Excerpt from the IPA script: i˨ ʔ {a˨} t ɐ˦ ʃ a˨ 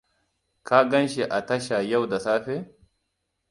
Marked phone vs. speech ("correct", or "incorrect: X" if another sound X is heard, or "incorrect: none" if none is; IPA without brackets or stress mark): correct